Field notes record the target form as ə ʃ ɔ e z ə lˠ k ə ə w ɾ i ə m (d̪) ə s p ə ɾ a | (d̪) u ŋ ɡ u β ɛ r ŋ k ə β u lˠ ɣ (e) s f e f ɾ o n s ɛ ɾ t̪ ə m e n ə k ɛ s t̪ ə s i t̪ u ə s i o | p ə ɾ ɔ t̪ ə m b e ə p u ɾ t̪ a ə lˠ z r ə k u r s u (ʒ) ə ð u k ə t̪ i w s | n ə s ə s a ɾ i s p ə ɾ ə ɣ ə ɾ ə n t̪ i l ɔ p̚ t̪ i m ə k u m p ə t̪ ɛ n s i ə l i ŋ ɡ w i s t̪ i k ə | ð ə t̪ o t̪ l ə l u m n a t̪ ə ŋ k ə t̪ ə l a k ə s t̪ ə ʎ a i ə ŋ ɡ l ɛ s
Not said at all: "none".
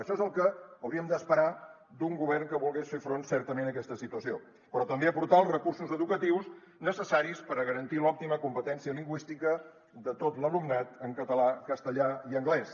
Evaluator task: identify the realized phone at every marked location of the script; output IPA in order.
d̪, d̪, e, z

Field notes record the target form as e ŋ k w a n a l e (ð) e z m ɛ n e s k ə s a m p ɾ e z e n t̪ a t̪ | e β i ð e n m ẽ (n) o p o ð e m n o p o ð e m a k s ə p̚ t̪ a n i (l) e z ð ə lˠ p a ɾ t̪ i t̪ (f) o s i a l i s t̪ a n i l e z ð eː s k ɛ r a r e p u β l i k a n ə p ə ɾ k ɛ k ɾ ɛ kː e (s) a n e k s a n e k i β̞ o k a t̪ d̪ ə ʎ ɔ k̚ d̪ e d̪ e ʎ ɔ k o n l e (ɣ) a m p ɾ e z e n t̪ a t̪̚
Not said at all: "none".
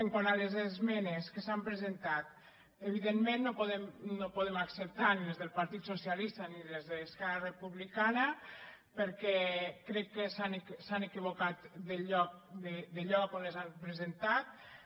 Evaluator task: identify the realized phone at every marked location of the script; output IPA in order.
z, nː, l, s, s, z

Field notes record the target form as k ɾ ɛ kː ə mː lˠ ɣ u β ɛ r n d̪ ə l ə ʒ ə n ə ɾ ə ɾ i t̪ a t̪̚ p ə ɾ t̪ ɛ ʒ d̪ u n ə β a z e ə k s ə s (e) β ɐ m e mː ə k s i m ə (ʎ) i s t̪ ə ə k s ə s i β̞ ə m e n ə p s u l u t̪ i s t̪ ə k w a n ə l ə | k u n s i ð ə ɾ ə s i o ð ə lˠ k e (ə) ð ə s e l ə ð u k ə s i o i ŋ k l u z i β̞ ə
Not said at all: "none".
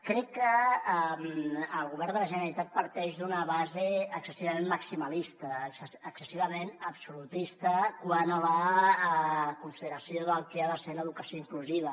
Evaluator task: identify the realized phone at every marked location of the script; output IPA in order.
i, l, a

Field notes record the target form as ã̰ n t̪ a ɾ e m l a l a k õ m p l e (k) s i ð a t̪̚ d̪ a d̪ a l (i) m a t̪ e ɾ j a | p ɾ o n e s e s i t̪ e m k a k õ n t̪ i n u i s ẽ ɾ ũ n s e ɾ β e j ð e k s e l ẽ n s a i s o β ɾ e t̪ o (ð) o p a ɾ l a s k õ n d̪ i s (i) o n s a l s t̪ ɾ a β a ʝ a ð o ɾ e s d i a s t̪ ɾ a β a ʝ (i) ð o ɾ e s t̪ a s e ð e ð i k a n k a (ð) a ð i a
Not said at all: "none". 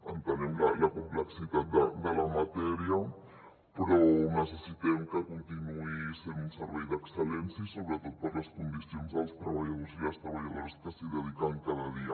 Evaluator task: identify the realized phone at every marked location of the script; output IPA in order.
k, a, ð, j, a, ð

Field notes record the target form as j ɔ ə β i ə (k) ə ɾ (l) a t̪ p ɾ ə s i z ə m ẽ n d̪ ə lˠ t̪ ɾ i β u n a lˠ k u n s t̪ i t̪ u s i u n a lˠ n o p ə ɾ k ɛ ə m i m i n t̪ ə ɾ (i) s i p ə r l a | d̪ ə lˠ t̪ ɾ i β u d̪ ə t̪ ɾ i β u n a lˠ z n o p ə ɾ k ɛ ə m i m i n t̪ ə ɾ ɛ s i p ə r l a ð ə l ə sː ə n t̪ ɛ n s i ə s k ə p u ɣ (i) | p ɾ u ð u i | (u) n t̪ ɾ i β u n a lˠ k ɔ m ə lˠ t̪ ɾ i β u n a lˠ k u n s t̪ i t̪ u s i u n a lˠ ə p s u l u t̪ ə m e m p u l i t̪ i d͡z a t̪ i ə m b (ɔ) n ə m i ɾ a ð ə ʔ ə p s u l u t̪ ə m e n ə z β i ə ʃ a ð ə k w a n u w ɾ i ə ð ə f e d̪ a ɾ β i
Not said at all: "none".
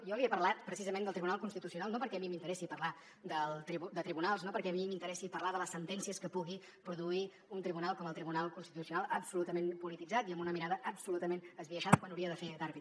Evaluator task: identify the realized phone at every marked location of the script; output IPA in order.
p, l, ɛ, i, u, u

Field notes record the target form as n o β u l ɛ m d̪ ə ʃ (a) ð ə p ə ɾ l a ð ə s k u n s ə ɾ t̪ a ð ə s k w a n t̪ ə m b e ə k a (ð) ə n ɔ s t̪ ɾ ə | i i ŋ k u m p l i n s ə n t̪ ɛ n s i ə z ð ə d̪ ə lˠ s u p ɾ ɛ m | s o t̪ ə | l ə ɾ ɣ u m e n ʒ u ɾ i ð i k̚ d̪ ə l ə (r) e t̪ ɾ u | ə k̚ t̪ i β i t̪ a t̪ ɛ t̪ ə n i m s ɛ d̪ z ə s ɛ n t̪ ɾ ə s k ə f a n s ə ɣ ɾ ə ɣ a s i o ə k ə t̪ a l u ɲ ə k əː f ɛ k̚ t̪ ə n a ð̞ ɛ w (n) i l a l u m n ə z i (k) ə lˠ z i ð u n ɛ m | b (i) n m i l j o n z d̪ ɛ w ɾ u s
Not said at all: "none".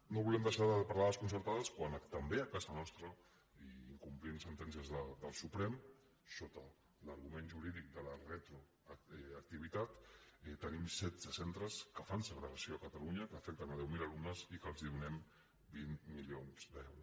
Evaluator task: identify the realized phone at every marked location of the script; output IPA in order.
a, z, r, m, k, i

